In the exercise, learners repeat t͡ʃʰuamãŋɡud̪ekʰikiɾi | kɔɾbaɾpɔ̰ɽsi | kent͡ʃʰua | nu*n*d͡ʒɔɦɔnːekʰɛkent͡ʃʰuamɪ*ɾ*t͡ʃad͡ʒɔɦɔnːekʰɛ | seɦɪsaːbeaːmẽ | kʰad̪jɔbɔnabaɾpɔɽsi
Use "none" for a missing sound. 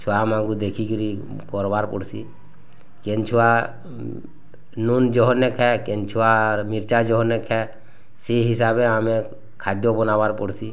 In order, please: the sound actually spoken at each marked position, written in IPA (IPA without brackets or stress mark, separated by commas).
n, ɾ